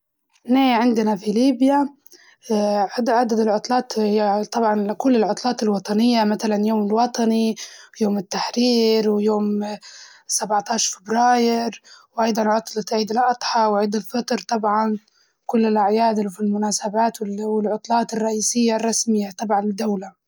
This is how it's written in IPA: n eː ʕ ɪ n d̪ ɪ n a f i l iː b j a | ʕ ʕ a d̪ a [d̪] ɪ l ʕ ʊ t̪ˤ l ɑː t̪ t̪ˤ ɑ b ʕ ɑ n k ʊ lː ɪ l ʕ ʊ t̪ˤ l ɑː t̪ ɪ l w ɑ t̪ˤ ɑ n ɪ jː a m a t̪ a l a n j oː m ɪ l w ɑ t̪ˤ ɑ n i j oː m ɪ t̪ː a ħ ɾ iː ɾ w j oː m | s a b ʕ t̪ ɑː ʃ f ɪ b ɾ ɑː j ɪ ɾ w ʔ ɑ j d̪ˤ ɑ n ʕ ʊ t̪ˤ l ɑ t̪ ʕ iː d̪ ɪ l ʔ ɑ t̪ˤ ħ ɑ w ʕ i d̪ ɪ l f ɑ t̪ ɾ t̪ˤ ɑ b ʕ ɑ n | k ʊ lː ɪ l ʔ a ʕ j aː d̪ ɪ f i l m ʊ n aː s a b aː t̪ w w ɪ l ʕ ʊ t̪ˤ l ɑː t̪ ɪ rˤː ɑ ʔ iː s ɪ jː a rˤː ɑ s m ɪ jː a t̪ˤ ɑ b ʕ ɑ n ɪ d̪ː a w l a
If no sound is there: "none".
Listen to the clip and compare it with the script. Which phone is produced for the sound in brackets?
d̪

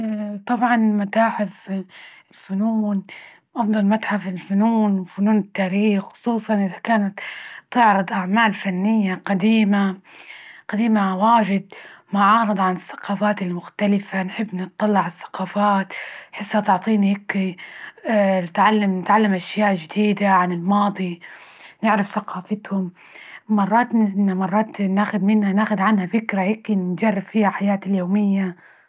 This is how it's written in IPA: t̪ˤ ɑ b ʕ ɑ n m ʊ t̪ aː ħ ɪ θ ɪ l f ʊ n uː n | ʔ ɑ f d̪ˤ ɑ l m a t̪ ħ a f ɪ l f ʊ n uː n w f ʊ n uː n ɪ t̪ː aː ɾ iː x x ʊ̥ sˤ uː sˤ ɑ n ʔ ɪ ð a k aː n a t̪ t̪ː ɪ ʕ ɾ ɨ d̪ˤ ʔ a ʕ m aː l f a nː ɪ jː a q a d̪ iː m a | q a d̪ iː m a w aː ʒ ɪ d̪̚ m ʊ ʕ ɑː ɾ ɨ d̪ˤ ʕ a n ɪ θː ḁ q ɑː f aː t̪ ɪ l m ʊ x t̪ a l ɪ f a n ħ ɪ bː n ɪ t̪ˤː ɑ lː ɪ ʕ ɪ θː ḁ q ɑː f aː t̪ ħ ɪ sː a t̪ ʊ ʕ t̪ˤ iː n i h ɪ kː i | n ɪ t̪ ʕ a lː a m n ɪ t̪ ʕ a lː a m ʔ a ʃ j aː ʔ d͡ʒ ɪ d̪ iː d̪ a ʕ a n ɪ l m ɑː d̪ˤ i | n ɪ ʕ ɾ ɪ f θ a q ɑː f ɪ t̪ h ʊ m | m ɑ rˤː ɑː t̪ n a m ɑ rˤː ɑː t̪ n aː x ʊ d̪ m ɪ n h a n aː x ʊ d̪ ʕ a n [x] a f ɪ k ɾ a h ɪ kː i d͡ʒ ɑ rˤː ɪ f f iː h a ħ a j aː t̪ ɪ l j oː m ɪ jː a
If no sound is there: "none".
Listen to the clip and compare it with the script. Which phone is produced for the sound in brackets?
h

